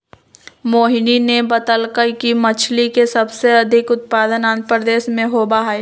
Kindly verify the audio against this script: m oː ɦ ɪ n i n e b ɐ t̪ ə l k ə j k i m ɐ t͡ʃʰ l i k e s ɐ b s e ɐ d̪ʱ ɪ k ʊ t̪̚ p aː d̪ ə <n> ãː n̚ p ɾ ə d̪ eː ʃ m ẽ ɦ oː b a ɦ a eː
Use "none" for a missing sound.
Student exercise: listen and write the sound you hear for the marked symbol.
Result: n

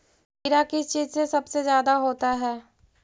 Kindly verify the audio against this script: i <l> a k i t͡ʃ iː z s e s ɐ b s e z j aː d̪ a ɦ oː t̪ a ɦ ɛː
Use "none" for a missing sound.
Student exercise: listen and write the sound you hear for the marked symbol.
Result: ɾ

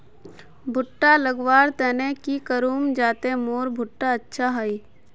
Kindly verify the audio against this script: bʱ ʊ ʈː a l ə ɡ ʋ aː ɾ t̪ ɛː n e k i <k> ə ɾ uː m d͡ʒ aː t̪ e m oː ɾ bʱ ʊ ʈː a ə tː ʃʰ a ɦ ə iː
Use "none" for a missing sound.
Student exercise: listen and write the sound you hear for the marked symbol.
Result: k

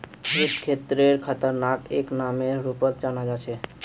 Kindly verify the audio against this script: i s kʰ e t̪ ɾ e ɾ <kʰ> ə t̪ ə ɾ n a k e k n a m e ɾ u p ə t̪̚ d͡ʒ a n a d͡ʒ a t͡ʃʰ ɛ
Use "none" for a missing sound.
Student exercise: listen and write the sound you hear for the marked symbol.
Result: kʰ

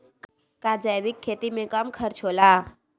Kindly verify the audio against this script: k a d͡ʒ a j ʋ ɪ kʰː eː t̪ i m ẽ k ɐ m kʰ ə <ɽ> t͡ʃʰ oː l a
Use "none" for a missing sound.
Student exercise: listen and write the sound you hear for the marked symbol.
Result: ɾ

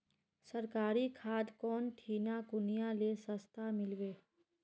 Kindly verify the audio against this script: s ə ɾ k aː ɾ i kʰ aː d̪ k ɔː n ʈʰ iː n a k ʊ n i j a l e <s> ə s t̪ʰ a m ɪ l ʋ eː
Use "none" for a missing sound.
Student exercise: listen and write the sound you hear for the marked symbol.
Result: s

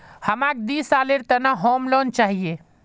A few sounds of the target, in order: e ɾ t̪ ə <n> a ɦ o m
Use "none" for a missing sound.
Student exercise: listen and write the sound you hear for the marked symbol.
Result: n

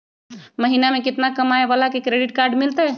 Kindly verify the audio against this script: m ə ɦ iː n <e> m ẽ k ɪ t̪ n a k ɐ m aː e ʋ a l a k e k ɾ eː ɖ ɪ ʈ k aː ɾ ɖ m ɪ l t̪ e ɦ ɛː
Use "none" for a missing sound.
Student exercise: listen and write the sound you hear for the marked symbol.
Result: a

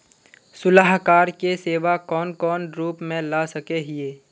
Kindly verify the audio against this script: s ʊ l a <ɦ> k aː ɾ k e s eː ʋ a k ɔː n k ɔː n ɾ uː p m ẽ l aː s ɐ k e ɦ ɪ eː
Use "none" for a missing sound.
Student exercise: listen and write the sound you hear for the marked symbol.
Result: ɦ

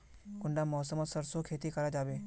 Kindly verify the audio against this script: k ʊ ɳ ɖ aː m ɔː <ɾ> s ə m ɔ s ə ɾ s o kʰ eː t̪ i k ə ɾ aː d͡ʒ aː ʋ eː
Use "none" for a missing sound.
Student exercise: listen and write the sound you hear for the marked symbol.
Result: none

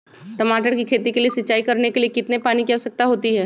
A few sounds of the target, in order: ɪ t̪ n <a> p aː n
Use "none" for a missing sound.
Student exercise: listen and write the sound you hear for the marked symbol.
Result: e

